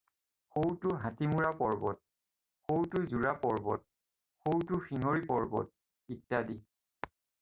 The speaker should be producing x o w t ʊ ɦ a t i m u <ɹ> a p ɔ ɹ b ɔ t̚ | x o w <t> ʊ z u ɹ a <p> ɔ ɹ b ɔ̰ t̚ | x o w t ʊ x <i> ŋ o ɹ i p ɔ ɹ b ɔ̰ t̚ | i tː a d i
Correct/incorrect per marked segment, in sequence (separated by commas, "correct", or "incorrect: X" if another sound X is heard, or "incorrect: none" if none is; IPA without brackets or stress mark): correct, correct, correct, correct